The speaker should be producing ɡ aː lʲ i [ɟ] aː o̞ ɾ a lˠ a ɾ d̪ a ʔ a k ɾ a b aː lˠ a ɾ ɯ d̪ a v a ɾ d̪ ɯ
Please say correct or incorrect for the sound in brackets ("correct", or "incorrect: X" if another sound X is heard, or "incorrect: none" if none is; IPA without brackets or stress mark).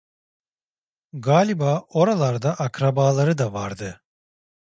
incorrect: b